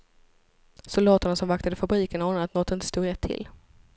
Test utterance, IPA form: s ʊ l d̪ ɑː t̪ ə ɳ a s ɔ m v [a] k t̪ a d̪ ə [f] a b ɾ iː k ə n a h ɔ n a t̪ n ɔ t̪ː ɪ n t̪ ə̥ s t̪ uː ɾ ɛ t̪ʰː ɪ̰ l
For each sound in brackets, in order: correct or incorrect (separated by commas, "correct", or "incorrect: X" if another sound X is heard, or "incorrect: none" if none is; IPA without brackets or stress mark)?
correct, correct